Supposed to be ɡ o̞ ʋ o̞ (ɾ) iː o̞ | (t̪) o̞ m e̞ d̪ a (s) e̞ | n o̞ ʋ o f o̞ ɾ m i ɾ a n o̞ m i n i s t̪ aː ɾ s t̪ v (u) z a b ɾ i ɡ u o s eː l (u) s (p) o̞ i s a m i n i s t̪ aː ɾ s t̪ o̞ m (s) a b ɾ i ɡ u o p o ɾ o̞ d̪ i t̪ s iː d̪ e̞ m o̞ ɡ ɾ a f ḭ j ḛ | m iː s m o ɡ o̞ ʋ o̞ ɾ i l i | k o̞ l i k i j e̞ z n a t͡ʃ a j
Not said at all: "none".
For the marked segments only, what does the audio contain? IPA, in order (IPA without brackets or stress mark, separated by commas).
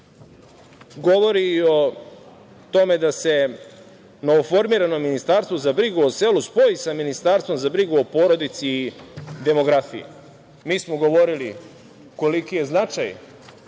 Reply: ɾ, t̪, s, o, u, p, z